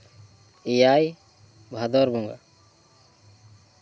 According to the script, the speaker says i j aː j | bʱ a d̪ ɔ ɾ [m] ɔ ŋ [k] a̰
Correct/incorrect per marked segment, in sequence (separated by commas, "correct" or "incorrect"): incorrect, incorrect